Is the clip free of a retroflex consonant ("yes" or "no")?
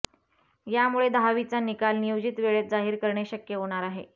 no